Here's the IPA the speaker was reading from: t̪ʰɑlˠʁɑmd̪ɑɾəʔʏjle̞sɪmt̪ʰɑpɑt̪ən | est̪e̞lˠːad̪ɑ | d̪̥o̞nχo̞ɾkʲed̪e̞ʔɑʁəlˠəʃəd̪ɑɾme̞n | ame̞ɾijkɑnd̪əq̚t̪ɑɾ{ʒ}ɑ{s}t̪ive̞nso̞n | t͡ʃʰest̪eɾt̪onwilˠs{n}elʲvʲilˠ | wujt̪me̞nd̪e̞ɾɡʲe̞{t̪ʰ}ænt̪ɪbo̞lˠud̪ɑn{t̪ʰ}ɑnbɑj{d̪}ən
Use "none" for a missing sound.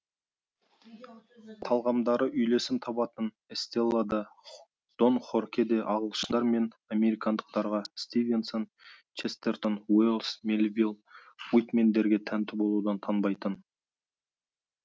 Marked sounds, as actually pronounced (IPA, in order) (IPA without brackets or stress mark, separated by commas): ʁ, s, m, t̪ʰ, t̪ʰ, t̪